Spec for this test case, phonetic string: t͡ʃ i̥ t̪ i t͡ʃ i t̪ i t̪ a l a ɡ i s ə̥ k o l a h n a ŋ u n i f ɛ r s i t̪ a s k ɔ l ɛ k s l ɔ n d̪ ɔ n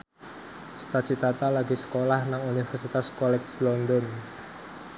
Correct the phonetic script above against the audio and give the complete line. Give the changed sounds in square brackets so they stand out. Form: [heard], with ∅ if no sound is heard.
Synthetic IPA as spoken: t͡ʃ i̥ t̪ [a] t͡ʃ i t̪ [a] t̪ a l a ɡ i s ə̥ k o l a h n a ŋ u n i f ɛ r s i t̪ a s k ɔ l ɛ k s l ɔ n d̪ ɔ n